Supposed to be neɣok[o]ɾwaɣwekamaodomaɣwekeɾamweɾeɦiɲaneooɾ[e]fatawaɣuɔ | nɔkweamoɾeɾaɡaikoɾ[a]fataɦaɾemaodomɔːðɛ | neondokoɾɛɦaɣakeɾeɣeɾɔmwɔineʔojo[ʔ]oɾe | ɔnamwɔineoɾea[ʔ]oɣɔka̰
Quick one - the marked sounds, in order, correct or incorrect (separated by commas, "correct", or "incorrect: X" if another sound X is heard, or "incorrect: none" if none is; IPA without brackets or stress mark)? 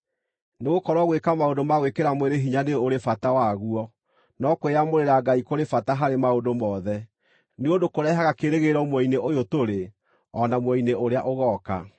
incorrect: ɔ, correct, incorrect: e, incorrect: t, correct